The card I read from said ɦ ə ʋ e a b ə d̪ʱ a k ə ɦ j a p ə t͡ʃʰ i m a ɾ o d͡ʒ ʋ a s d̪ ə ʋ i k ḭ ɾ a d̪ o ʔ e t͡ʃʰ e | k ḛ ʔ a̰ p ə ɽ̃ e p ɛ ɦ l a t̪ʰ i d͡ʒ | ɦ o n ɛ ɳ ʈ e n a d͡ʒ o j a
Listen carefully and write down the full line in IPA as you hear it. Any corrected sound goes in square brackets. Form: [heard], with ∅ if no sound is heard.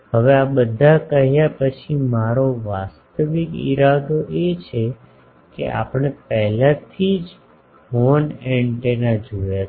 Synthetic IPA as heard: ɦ ə ʋ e a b ə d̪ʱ a k ə ɦ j a p ə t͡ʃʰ i m a ɾ o [∅] ʋ a s [t̪] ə ʋ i k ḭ ɾ a d̪ o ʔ e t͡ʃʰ e | k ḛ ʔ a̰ p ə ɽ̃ e p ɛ ɦ l a t̪ʰ i d͡ʒ | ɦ o n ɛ ɳ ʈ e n a d͡ʒ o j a

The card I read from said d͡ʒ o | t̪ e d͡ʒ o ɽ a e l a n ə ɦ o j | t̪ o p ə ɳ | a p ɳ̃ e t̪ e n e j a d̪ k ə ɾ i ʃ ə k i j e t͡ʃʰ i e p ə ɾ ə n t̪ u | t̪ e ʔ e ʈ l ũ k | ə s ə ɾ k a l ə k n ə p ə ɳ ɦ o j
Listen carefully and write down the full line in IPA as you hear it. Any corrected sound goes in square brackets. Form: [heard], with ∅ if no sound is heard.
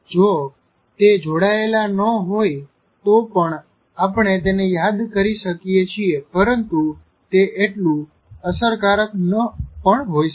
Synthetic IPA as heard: d͡ʒ o | t̪ e d͡ʒ o ɽ a e l a n ə ɦ o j | t̪ o p ə ɳ | a p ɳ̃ e t̪ e n e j a d̪ k ə ɾ i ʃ ə k i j e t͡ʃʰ i e p ə ɾ ə n t̪ u | t̪ e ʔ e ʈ l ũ [∅] | ə s ə ɾ k a [ɾ] ə k n ə p ə ɳ ɦ o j

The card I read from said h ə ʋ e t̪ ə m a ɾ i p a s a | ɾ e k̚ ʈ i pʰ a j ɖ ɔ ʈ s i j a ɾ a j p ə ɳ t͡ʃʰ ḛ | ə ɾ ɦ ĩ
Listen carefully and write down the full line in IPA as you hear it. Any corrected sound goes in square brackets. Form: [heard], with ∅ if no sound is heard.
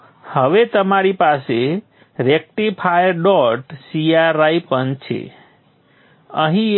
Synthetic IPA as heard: h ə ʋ e t̪ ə m a ɾ i p a s [e] | ɾ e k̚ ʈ i pʰ a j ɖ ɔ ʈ s i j a ɾ a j p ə [n] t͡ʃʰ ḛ | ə [∅] ɦ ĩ

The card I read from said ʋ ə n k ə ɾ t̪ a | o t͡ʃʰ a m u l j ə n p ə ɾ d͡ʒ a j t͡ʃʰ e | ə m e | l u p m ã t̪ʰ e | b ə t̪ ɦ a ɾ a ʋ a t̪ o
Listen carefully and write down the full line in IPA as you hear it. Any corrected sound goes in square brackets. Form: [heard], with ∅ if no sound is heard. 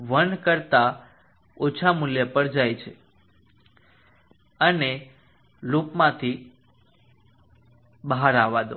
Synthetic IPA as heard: ʋ ə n k ə ɾ t̪ a | o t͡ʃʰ a m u l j ə [∅] p ə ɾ d͡ʒ a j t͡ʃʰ e | ə [n] e | l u p m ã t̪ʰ [i] | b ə [∅] ɦ a ɾ a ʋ a [d̪] o

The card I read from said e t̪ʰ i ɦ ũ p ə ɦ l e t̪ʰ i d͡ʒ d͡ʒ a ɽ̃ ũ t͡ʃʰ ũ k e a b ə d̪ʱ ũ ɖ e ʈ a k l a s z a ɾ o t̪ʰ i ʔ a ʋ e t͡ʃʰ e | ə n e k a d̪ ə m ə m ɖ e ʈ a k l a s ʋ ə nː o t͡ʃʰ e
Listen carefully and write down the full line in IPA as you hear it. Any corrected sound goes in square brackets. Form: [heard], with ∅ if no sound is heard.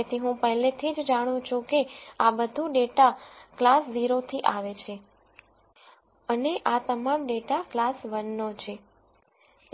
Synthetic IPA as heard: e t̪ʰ i ɦ ũ p ə ɦ l e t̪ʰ i d͡ʒ d͡ʒ a ɽ̃ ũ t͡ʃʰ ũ k e a b ə d̪ʱ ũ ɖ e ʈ a k l a s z [i] ɾ o t̪ʰ i ʔ a ʋ e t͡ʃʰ e | ə n e [ʔ] a [t̪] ə m [a] m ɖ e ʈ a k l a s ʋ ə nː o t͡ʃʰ e

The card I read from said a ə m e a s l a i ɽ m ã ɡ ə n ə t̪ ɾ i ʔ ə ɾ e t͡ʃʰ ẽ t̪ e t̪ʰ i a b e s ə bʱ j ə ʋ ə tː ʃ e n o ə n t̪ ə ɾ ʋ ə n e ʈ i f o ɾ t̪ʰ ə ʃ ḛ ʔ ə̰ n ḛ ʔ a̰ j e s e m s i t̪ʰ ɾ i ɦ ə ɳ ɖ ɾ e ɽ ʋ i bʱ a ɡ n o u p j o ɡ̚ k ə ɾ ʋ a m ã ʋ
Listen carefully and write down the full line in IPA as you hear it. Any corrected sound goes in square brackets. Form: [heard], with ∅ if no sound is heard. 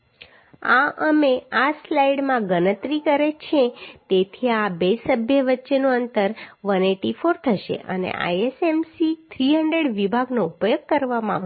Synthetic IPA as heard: a ə m e a s l a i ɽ m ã ɡ ə n ə t̪ ɾ i [k] ə ɾ e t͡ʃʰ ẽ t̪ e t̪ʰ i a b e s ə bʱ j ə ʋ ə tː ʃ e n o ə n t̪ ə ɾ ʋ ə n e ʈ i f o ɾ t̪ʰ ə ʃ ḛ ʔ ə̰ n ḛ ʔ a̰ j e s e m s i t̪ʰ ɾ i ɦ ə ɳ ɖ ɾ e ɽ ʋ i bʱ a ɡ n o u p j o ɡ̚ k ə ɾ ʋ a m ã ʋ

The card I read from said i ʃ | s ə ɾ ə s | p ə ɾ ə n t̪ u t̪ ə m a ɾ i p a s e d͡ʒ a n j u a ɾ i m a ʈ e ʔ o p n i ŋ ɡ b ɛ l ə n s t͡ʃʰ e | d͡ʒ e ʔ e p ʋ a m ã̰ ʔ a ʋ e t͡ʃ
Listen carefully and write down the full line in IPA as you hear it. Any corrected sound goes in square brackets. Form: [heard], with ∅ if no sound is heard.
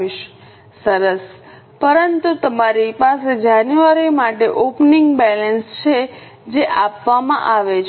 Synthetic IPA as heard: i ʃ | s ə ɾ ə s | p ə ɾ ə n t̪ u t̪ ə m a ɾ i p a s e d͡ʒ a n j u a ɾ i m a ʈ e ʔ o p n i ŋ ɡ b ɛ l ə n s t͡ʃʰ e | d͡ʒ e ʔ [a] p ʋ a m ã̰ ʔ a ʋ e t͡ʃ

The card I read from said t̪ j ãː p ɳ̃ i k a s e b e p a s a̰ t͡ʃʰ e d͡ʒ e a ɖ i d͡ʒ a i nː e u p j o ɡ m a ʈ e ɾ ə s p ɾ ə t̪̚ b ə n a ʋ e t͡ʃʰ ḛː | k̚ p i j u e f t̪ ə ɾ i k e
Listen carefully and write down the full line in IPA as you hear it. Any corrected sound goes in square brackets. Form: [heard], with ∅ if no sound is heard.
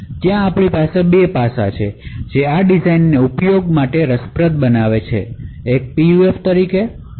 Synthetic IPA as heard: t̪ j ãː p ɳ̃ i [p] a s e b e p a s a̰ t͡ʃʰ e d͡ʒ e a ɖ i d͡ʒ a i nː e u p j o ɡ m a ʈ e ɾ ə s p ɾ ə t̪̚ b ə n a ʋ e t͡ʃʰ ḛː | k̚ p i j u e f t̪ ə ɾ i k e

